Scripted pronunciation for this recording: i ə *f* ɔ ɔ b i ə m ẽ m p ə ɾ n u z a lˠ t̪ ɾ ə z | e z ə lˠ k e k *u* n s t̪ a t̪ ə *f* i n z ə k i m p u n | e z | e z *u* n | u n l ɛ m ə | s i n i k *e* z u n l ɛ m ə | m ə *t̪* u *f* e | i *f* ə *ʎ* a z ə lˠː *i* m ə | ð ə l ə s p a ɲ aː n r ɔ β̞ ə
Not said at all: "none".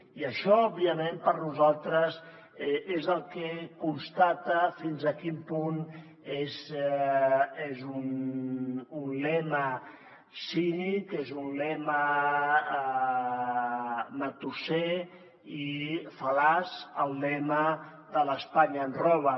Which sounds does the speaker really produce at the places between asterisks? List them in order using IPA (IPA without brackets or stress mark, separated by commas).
ʃ, u, f, u, e, t̪, s, f, l, ɛ